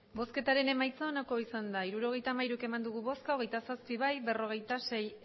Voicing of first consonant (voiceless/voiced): voiced